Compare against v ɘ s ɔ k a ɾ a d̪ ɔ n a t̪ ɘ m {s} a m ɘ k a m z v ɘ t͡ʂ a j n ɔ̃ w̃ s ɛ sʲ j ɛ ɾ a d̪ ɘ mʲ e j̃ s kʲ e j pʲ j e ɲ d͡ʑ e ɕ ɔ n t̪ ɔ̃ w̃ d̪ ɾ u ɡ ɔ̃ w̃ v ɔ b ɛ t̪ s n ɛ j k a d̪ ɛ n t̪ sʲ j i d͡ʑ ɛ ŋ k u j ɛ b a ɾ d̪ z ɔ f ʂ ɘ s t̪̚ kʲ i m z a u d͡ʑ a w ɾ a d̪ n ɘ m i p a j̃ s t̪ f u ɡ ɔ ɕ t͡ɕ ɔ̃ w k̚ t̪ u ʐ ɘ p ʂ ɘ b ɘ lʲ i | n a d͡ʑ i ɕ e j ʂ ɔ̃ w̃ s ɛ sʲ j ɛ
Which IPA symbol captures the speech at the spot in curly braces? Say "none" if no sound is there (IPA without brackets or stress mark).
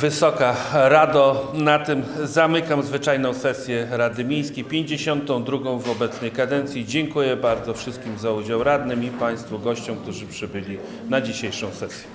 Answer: z